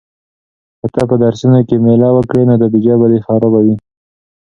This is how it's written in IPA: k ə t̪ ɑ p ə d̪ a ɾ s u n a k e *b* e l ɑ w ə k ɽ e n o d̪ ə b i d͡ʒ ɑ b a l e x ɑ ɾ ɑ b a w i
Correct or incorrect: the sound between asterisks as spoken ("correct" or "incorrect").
incorrect